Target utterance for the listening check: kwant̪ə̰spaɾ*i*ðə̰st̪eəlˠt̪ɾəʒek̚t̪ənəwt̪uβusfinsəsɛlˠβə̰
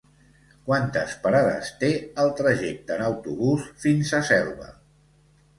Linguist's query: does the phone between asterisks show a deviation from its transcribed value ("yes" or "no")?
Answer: yes